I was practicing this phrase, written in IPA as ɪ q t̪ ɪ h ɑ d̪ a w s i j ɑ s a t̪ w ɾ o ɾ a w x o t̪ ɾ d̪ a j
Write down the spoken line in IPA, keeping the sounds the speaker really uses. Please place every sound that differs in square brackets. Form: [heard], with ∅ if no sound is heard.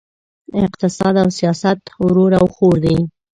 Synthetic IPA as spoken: ɪ q t̪ ɪ [s] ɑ d̪ a w s i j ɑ s a t̪ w ɾ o ɾ a w x o [∅] ɾ d̪ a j